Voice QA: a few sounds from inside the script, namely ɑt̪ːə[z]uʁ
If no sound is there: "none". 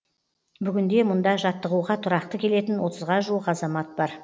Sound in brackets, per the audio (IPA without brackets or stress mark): ʁ